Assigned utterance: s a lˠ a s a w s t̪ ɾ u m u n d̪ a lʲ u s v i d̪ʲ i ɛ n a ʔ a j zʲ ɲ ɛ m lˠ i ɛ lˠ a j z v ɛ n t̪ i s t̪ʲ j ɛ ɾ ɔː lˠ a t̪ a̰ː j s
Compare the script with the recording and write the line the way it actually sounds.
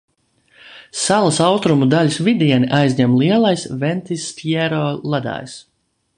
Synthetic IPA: s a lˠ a s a w s t̪ ɾ u m u d̪ a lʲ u s v i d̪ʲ i ɛ n i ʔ a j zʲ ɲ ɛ m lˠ i ɛ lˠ a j s v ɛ n t̪ i s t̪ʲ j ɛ ɾ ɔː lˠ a d̪ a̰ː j s